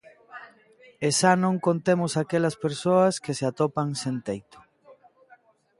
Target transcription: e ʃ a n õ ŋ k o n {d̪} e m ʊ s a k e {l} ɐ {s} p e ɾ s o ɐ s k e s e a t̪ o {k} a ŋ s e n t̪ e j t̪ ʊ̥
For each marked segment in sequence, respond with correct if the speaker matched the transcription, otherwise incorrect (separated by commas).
incorrect, correct, correct, incorrect